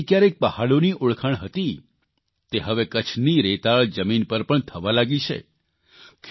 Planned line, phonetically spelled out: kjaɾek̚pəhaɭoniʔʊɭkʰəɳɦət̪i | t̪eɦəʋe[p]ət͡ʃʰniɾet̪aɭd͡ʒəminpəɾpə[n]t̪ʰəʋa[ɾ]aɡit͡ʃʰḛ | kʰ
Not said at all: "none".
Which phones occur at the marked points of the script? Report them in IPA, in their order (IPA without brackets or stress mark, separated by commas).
k, ɳ, l